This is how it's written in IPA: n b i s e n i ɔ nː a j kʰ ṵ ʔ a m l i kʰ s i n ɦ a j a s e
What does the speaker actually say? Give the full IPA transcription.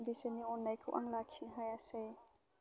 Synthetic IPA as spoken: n b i s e n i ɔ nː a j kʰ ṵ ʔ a ŋ l a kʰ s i n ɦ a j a s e